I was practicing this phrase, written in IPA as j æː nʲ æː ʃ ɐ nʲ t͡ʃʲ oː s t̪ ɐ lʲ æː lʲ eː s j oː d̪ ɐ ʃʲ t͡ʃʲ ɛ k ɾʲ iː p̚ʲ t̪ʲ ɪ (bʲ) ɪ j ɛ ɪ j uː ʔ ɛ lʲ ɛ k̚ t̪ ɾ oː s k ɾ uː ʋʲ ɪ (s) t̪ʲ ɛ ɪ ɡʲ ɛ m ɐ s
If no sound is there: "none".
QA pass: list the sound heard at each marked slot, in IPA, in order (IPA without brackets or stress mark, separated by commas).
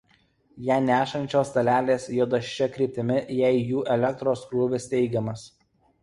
mʲ, s